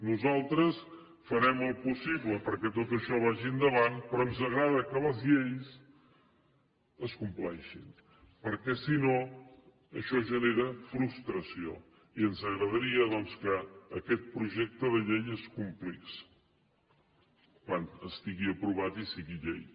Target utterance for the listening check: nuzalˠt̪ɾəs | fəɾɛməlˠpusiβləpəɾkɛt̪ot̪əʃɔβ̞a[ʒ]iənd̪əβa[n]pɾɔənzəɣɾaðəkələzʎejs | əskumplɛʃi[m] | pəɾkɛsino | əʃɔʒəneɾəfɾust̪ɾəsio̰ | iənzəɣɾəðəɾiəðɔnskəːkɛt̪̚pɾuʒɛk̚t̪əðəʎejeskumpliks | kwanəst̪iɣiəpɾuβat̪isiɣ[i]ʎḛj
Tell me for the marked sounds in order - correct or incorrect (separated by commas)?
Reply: correct, correct, incorrect, correct